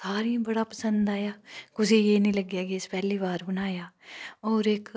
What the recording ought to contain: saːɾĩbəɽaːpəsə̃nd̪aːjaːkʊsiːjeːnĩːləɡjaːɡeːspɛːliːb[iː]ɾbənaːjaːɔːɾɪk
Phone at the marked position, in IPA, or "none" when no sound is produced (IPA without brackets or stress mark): aː